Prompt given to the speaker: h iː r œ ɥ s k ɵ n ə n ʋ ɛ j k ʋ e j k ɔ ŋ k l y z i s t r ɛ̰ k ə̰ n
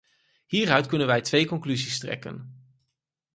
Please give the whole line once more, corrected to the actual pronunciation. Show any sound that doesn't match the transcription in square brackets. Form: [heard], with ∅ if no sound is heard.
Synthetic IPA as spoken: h iː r œ ɥ [t] k ɵ n ə n ʋ ɛ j [t] ʋ e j k ɔ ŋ k l y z i s t r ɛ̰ k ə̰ n